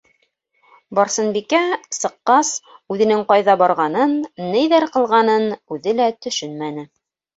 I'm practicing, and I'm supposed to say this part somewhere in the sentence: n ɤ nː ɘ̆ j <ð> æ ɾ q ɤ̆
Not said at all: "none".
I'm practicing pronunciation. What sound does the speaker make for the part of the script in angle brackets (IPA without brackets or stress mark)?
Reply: ð